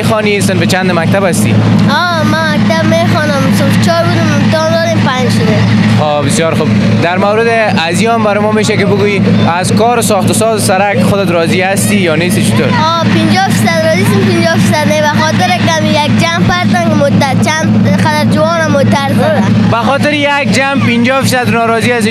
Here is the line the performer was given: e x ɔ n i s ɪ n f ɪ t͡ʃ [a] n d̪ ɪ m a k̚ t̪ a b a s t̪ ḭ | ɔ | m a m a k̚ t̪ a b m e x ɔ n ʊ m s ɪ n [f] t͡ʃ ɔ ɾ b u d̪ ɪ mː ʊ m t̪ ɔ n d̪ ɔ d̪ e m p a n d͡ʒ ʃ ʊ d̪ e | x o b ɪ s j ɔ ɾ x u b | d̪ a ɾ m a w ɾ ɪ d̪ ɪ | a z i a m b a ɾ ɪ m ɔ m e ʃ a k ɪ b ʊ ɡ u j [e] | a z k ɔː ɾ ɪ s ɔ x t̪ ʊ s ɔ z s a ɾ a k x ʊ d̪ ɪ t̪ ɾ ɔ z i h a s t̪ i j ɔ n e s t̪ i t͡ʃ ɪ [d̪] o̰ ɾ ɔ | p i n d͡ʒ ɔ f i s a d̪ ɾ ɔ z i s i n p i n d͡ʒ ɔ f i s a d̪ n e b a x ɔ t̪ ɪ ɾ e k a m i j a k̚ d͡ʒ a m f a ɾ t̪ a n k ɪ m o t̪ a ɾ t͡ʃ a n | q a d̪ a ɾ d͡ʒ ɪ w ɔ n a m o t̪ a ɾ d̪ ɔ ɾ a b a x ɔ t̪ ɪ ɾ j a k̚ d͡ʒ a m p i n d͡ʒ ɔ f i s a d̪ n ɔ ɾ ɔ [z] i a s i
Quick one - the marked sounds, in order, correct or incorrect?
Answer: correct, correct, incorrect: i, incorrect: t̪, correct

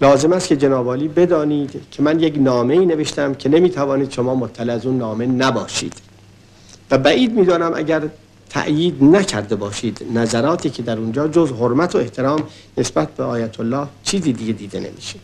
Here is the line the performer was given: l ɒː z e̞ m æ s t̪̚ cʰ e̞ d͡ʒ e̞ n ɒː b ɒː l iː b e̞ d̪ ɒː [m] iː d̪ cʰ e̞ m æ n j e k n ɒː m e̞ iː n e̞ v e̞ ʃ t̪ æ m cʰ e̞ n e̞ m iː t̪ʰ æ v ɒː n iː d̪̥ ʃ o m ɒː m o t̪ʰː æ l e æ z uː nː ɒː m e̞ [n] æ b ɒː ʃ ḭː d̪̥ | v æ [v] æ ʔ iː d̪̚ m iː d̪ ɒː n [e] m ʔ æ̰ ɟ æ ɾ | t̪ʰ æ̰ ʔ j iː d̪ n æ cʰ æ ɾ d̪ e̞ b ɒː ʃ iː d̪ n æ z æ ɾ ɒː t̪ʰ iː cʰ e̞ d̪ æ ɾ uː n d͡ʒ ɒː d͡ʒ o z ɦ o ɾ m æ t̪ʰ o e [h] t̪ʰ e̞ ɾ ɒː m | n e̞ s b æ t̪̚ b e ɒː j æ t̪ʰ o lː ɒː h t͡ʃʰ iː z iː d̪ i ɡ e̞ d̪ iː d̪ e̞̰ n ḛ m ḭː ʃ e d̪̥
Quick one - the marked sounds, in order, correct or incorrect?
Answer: incorrect: n, correct, incorrect: b, incorrect: æ, correct

